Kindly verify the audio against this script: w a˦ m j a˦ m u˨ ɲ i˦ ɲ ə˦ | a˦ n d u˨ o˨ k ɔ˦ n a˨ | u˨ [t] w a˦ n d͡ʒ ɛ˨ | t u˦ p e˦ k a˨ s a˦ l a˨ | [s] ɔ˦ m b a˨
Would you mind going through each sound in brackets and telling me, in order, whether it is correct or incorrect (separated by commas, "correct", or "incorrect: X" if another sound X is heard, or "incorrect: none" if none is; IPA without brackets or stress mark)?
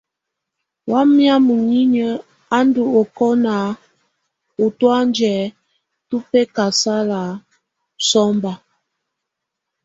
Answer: correct, correct